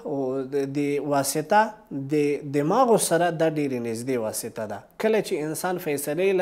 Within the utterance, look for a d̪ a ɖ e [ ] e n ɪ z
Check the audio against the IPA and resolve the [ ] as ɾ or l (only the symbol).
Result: ɾ